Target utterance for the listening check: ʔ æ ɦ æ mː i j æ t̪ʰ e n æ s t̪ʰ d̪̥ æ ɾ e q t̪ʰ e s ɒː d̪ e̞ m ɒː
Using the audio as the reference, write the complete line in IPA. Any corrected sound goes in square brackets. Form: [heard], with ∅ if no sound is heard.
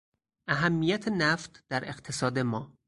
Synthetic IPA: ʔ æ ɦ æ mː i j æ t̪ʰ e n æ [f] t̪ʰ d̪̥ æ ɾ e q t̪ʰ e s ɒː d̪ e̞ m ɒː